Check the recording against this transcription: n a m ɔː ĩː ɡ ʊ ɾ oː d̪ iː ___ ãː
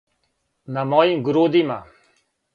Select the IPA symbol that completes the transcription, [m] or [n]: m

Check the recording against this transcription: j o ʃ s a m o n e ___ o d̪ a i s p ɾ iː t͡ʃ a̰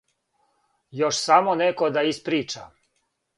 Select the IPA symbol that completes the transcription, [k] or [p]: k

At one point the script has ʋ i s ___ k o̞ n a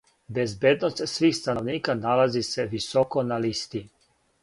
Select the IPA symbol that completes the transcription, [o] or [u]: o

